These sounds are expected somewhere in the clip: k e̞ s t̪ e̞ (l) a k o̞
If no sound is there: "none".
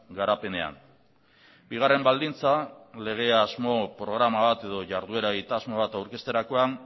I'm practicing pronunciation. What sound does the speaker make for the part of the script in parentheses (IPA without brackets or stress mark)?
ɾ